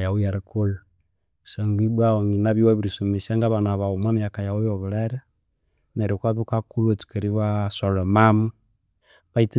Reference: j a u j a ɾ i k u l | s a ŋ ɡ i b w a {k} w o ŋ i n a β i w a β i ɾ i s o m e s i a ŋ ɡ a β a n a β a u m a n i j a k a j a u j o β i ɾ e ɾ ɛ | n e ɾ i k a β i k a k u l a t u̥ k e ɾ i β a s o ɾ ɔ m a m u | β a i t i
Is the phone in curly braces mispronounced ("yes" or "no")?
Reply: yes